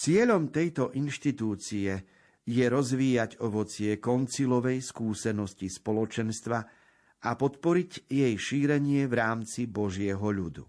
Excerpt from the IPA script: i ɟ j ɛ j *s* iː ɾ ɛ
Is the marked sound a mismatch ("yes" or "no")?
yes